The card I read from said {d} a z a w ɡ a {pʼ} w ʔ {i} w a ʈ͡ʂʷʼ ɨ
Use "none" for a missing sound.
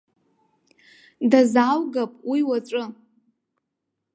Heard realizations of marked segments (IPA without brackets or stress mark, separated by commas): d, pʼ, i